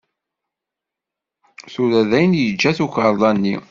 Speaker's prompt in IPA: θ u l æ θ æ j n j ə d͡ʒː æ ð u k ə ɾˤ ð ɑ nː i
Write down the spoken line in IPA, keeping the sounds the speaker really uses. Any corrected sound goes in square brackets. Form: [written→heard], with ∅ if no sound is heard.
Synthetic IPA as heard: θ u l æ [θ→ð] æ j n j ə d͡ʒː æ [ð→θ] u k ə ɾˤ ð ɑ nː i